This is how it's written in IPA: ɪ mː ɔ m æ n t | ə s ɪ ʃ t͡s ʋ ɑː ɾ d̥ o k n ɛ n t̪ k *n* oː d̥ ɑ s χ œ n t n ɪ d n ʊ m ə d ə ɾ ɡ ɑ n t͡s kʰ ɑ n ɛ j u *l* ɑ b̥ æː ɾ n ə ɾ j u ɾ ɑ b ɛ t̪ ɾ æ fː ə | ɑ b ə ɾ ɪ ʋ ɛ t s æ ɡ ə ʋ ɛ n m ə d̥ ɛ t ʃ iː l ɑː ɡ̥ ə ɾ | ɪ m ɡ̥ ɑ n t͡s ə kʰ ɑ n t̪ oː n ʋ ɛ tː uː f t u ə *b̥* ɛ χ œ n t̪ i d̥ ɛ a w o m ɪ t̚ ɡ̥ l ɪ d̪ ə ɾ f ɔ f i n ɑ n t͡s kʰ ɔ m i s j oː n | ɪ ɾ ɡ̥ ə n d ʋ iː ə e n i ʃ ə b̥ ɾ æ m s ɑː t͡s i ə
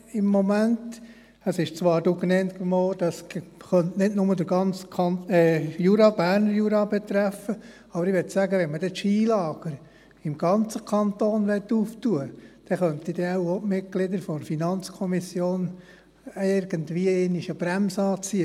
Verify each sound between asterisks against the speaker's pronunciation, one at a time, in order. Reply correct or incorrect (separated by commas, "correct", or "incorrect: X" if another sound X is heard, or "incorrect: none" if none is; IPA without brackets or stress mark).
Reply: incorrect: m, incorrect: ɾ, incorrect: d̥